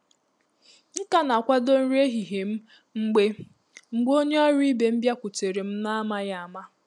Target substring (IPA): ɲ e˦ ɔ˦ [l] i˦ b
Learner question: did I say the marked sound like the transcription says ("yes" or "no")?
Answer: no